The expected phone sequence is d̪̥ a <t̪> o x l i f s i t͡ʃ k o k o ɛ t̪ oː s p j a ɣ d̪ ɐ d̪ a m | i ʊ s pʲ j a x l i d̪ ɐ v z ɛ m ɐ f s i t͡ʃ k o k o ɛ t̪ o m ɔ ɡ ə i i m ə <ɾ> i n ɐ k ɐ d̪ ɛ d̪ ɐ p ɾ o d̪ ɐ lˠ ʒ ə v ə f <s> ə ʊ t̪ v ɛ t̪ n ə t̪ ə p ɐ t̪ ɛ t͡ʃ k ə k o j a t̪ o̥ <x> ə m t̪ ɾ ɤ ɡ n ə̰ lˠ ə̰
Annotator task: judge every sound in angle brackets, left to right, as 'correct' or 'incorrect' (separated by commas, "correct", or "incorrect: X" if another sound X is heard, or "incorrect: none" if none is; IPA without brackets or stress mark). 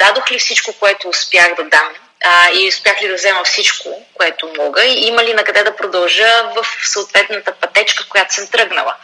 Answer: incorrect: d̪, incorrect: l, correct, incorrect: s